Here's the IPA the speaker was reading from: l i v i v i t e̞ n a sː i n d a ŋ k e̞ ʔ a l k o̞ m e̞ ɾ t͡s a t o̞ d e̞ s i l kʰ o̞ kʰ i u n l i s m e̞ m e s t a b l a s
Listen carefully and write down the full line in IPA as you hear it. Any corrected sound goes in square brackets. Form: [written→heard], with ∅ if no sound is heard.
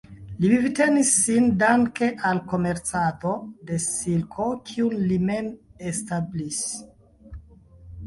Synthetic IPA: l i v i v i t e̞ n [a→i] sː i n d a ŋ k e̞ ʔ a l k o̞ m e̞ ɾ t͡s a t o̞ d e̞ s i l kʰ o̞ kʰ i u n l i [s→∅] m e̞ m e s t a b l [a→i] s